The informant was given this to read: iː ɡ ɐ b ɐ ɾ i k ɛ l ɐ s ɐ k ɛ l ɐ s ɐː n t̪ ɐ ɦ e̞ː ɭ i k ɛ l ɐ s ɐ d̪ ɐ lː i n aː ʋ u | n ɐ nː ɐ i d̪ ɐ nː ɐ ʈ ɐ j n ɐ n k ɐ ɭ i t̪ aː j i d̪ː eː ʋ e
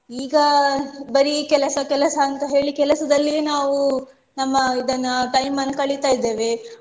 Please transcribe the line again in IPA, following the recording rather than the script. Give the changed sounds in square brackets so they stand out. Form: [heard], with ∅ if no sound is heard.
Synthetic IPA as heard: iː ɡ ɐ b ɐ ɾ i k ɛ l ɐ s ɐ k ɛ l ɐ s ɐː n t̪ ɐ ɦ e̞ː ɭ i k ɛ l ɐ s ɐ d̪ ɐ lː i n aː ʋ u | n ɐ [mː] ɐ i d̪ ɐ nː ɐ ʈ ɐ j [m] ɐ n k ɐ ɭ i t̪ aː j i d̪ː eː ʋ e